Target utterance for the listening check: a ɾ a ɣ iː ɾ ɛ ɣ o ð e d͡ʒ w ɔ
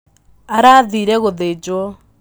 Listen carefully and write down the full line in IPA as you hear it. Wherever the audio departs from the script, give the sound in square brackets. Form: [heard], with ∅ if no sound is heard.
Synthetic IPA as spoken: a ɾ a [ð] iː ɾ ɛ ɣ o ð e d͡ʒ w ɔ